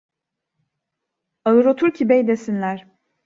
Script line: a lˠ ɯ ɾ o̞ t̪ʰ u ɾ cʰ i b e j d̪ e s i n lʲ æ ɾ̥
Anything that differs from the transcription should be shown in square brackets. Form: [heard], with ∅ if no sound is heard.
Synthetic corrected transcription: a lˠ ɯ ɾ o̞ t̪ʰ u ɾ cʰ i b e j d̪ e s i n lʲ æ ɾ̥